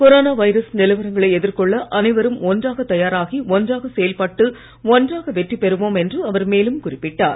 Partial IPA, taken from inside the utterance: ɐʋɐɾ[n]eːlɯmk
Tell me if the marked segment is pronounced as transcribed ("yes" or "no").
no